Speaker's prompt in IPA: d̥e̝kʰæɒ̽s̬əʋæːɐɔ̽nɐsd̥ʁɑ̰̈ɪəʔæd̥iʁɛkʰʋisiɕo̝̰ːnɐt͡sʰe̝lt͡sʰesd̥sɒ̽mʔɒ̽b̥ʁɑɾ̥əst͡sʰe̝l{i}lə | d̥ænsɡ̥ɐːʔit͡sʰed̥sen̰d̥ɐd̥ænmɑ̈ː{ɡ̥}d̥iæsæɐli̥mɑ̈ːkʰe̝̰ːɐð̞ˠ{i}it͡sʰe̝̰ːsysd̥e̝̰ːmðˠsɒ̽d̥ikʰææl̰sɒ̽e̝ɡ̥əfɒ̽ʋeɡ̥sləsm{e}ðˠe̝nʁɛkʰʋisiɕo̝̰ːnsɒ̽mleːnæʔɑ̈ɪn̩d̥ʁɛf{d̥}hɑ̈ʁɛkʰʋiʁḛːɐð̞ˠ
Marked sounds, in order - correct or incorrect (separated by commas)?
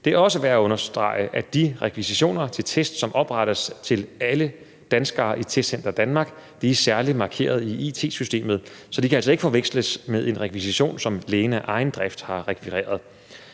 incorrect, correct, correct, correct, correct